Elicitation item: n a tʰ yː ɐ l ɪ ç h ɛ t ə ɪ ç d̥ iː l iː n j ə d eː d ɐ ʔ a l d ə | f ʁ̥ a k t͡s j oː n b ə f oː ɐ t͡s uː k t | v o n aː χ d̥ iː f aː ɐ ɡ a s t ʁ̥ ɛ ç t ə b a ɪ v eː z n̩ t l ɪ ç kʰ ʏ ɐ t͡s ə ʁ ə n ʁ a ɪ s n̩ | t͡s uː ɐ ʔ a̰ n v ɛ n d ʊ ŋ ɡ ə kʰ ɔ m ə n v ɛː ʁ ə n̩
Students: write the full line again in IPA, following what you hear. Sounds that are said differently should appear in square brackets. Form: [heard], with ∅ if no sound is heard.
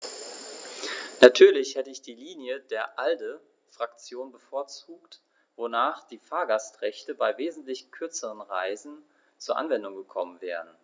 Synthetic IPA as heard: n a tʰ yː ɐ l ɪ ç h ɛ t ə ɪ ç d̥ iː l iː n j ə d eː [∅] ɐ ʔ a l d ə | f ʁ̥ a k t͡s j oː n b ə f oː ɐ t͡s uː k t | v o n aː χ d̥ iː f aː ɐ ɡ a s t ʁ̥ ɛ ç t ə b a ɪ v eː z n̩ t l ɪ ç kʰ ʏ ɐ t͡s ə ʁ ə n ʁ a ɪ [z] n̩ | t͡s uː ɐ ʔ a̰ n v ɛ n d ʊ ŋ ɡ ə kʰ ɔ m ə n v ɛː ʁ ə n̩